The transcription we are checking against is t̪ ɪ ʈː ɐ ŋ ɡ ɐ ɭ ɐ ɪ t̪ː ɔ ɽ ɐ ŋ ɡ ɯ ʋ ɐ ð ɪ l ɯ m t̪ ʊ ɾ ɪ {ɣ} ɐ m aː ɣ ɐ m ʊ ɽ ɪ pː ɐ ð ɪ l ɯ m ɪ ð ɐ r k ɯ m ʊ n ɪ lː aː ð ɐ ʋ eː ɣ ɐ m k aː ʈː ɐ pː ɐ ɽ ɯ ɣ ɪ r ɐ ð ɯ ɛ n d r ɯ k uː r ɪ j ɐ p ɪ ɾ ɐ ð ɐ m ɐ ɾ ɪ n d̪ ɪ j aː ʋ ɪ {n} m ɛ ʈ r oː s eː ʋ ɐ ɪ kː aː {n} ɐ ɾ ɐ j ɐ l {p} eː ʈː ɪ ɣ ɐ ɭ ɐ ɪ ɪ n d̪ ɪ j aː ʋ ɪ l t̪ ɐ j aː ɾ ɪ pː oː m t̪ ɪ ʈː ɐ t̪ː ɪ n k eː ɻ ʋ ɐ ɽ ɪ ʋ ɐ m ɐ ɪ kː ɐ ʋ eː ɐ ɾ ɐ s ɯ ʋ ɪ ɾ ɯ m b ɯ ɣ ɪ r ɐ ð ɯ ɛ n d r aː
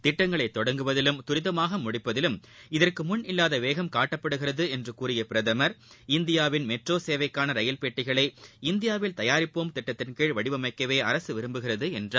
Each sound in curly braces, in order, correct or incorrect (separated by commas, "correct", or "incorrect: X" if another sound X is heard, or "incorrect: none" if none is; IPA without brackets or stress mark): incorrect: ð, correct, correct, correct